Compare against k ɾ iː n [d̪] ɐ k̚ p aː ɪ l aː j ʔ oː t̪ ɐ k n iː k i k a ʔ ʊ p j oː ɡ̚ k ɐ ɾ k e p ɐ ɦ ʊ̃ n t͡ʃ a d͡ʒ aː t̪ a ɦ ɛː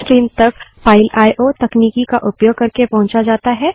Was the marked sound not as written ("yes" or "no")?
yes